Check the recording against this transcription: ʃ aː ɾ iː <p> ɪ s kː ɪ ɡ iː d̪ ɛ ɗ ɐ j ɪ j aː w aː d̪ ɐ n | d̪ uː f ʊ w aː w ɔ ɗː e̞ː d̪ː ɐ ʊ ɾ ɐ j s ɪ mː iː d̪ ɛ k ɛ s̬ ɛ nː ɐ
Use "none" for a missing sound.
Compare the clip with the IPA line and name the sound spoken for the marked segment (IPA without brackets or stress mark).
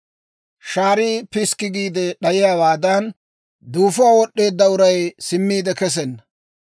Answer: p